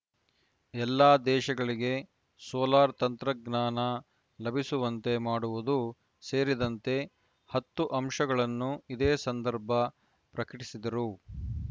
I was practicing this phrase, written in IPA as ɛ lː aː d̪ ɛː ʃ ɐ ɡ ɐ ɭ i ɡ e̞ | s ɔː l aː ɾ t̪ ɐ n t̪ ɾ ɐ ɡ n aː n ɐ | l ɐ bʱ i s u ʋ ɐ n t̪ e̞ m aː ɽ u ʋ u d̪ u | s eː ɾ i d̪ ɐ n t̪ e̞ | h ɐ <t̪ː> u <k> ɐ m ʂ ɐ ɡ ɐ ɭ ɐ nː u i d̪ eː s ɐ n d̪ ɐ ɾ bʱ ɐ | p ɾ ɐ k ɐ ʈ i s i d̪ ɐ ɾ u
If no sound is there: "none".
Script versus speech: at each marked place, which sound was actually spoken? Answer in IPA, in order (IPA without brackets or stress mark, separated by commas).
t̪ː, ʔ